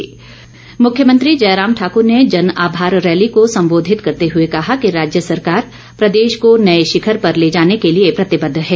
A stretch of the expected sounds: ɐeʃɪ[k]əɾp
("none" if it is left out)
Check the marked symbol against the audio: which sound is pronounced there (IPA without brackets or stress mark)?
kʰ